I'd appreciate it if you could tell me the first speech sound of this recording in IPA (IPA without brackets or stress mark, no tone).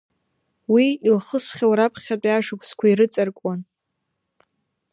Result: w